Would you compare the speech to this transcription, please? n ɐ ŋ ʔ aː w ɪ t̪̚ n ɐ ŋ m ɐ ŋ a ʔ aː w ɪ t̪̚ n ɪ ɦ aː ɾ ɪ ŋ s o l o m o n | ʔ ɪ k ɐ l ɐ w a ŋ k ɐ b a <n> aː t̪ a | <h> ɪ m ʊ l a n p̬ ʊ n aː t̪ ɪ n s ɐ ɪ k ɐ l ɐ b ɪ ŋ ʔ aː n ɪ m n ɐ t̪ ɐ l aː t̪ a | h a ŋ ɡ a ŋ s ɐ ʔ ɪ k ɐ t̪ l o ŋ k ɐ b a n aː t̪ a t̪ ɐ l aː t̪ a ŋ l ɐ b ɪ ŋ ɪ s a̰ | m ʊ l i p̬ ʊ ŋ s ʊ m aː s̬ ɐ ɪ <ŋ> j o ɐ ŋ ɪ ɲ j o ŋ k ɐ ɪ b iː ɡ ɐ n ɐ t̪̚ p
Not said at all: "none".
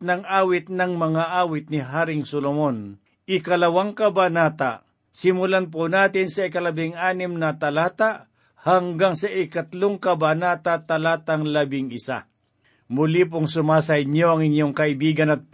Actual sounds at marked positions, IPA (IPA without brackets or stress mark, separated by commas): n, s, ɲ